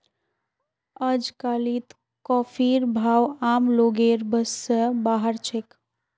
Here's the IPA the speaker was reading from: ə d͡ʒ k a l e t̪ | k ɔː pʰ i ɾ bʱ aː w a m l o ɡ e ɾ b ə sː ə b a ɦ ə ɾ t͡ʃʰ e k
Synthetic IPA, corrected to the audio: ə d͡ʒ k a l i t̪ | k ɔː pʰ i ɾ bʱ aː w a m l o ɡ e ɾ b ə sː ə b a ɦ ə ɾ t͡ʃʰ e k